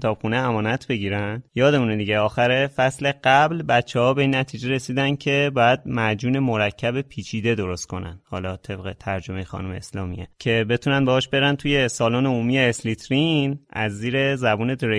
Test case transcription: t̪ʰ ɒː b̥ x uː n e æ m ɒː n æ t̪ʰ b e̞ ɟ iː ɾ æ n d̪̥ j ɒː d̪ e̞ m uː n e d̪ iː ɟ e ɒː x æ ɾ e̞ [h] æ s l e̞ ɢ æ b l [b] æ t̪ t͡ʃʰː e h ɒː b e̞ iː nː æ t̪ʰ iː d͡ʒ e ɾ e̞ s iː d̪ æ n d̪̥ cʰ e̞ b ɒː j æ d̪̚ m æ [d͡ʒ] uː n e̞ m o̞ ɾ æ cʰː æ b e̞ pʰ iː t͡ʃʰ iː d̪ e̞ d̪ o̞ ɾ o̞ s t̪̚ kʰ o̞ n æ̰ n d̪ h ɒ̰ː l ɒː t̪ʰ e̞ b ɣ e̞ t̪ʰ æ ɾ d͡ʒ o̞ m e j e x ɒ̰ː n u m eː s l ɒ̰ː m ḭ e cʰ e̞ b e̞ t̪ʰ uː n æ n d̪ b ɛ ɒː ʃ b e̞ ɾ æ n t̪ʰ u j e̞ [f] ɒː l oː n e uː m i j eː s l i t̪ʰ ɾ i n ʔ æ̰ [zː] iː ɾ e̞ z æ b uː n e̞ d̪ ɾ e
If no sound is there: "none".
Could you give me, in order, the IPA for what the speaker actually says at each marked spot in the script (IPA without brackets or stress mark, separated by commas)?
f, b, d͡ʒ, s, zː